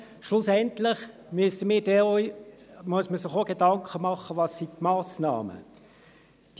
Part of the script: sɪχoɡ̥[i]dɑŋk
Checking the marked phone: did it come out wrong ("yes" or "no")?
yes